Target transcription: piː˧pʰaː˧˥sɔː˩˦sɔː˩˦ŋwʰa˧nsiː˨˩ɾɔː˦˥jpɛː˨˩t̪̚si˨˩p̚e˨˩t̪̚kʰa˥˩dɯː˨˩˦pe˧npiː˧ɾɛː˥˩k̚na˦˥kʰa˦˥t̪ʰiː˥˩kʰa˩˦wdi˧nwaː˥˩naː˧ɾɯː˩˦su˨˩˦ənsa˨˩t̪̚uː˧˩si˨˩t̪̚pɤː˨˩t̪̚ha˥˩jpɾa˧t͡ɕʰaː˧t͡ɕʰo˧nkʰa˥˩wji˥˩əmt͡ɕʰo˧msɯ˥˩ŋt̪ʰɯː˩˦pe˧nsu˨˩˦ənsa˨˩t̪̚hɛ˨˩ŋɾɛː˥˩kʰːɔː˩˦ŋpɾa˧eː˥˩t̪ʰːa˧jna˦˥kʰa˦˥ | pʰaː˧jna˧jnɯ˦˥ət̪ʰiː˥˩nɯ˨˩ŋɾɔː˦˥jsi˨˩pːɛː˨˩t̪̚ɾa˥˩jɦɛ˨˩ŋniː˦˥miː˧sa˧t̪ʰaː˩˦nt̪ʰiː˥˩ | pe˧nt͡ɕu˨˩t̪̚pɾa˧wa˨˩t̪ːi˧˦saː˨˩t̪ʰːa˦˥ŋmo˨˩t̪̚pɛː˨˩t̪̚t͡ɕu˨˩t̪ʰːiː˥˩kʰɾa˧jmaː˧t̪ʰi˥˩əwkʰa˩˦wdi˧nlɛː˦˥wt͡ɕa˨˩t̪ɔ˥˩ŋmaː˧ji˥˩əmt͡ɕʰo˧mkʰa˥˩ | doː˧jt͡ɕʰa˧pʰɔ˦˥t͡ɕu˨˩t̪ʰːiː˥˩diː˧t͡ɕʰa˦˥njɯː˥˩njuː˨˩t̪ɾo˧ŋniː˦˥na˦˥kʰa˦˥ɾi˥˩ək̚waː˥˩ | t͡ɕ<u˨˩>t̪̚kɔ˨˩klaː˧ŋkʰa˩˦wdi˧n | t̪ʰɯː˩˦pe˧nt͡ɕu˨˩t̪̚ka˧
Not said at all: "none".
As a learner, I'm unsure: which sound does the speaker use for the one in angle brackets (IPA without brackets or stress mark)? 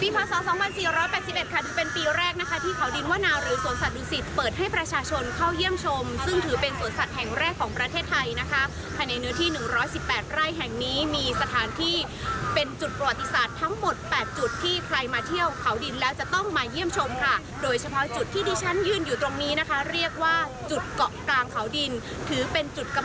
u˨˩